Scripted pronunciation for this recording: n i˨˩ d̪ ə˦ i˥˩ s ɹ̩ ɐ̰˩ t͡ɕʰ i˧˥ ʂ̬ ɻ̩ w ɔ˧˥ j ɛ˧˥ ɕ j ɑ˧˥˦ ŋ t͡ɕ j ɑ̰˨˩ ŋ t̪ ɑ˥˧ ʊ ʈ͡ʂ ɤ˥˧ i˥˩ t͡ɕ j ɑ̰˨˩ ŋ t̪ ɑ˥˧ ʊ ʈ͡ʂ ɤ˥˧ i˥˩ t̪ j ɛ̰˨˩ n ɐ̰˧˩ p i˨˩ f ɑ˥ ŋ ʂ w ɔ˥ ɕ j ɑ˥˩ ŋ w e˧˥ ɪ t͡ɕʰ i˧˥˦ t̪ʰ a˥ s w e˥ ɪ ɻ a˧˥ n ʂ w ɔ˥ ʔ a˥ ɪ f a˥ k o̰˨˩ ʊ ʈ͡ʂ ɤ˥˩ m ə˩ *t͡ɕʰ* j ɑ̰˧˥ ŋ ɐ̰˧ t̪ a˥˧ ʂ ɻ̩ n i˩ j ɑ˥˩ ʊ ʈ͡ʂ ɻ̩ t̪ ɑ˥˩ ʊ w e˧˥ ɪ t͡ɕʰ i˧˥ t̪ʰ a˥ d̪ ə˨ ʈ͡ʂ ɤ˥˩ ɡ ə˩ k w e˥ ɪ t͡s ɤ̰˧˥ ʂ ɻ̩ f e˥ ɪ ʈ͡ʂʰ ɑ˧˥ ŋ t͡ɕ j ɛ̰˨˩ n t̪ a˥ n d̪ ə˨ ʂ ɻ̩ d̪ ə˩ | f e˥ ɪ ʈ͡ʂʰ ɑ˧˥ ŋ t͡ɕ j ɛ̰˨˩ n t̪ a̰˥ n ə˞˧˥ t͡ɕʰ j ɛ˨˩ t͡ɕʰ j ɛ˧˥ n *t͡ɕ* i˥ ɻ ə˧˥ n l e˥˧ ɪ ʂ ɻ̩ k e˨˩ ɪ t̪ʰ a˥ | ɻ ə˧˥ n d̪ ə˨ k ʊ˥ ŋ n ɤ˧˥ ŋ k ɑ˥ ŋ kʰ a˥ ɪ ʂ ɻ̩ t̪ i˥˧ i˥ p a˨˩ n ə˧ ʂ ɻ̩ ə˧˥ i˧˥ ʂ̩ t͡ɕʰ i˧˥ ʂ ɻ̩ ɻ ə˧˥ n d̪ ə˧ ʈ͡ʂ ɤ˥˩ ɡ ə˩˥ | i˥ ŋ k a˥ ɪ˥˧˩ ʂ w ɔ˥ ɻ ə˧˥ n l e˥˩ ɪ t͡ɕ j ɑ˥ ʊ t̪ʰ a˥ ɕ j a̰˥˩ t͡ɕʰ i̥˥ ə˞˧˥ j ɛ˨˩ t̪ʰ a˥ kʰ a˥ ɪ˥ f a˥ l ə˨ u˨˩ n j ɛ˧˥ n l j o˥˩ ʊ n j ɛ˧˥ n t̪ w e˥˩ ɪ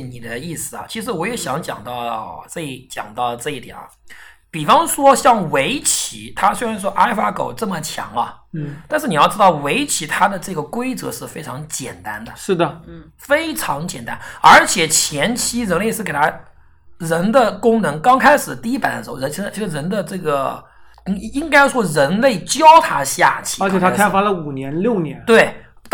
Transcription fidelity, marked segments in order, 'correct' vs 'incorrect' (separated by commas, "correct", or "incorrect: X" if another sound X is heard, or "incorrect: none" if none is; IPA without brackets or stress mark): correct, incorrect: t͡ɕʰ